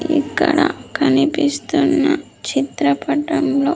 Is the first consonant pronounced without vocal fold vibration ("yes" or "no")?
yes